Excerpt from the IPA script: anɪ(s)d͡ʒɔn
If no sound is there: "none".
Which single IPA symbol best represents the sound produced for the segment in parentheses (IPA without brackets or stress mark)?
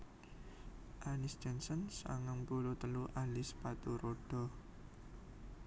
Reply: s